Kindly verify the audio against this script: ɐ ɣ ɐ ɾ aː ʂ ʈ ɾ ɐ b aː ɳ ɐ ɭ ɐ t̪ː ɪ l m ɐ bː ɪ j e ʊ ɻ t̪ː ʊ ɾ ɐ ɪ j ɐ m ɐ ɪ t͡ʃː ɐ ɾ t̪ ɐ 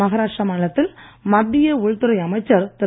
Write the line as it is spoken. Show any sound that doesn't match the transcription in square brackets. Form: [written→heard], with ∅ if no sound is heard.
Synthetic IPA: ɐ ɣ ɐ ɾ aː ʂ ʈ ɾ ɐ [b→m] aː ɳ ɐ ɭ ɐ t̪ː ɪ l m ɐ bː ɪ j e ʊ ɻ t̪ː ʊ ɾ ɐ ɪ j ɐ m ɐ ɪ t͡ʃː ɐ ɾ t̪ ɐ